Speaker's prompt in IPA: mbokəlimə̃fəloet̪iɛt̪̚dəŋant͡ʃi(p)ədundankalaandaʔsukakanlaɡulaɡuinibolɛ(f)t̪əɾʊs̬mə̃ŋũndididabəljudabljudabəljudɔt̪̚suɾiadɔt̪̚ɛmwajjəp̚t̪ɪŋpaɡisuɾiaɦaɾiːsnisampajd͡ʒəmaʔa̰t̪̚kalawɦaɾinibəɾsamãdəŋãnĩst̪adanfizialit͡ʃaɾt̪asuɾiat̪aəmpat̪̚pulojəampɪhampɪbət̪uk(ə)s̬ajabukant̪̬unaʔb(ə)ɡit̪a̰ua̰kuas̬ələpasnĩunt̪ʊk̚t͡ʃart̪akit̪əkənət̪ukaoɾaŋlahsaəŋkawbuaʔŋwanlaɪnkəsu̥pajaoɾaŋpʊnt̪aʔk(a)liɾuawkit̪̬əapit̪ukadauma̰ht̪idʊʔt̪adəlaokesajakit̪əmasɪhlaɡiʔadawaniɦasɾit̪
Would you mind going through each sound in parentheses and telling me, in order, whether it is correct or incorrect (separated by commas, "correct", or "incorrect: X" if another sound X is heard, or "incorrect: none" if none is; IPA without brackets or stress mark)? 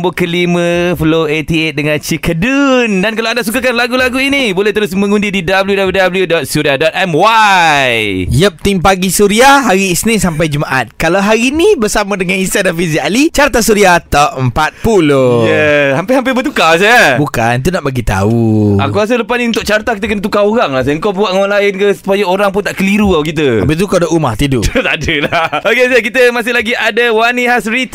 incorrect: k, incorrect: h, incorrect: a, incorrect: a, incorrect: ə